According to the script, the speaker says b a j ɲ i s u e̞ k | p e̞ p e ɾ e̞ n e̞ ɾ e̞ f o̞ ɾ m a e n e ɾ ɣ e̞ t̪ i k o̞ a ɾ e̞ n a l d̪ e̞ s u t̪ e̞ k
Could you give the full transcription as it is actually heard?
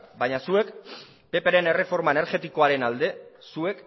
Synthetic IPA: b a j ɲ a s u e̞ k | p e̞ p e ɾ e̞ n e̞ r e̞ f o̞ ɾ m a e n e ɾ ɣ e̞ t̪ i k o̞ a ɾ e̞ n a l d̪ e̞ s u e̞ k